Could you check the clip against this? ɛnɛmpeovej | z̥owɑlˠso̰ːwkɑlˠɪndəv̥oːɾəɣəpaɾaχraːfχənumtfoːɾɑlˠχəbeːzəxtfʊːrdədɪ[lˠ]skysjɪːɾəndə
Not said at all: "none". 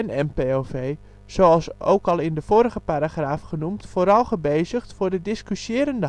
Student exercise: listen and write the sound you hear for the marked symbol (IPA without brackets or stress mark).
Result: none